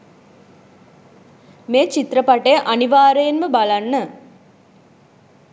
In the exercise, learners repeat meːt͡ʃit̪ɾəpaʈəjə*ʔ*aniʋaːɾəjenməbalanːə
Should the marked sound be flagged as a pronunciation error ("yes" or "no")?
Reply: no